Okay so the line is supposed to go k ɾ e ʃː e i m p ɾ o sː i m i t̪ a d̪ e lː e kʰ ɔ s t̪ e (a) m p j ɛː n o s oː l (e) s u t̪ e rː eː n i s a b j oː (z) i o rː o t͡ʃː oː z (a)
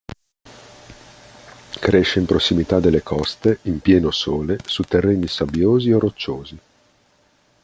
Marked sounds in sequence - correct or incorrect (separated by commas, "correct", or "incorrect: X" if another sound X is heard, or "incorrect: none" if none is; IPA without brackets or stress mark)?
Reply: incorrect: i, correct, correct, incorrect: i